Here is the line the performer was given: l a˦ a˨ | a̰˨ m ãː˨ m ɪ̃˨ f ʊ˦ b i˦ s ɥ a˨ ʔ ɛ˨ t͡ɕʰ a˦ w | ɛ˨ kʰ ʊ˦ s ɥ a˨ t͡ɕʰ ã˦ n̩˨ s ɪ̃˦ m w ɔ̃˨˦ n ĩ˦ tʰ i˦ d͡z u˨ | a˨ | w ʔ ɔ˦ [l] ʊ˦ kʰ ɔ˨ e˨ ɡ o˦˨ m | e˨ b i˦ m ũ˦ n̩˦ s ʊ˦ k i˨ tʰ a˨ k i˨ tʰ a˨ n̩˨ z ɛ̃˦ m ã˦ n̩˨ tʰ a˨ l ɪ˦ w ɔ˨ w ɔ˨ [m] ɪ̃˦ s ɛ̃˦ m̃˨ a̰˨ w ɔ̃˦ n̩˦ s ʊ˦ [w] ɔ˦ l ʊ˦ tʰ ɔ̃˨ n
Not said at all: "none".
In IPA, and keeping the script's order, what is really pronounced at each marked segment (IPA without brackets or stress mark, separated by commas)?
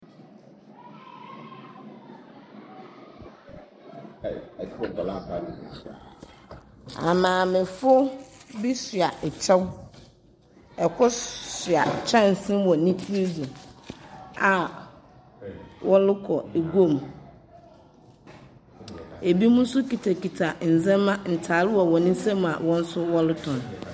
l, n, w